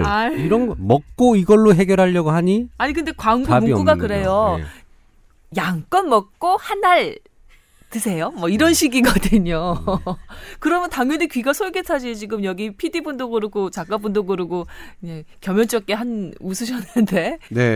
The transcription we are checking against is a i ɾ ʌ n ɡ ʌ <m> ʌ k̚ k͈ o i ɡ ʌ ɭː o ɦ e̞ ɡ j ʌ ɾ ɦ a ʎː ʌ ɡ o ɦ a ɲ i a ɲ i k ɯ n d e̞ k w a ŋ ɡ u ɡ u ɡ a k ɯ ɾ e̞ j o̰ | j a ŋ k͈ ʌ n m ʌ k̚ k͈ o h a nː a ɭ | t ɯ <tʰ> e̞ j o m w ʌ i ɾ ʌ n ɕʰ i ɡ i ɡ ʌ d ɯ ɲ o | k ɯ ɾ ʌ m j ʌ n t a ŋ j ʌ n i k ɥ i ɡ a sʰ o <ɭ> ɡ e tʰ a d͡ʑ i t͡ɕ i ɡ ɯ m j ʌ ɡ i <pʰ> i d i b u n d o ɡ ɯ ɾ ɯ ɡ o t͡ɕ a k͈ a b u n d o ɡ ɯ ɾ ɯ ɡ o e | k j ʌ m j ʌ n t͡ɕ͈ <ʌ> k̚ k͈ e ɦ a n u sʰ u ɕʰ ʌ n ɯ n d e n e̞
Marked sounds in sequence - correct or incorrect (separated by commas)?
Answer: correct, incorrect, correct, correct, correct